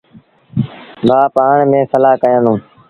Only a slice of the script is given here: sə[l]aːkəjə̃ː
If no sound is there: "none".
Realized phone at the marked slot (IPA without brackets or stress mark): l